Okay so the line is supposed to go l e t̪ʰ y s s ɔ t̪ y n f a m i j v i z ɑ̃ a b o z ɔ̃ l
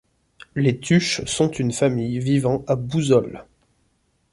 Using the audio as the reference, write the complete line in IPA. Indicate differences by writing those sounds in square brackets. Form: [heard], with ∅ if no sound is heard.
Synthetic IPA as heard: l e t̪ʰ y [ʃ] s [ɔ̃] t̪ y n f a m i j v i [v] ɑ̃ a b [u] z [ɔ] l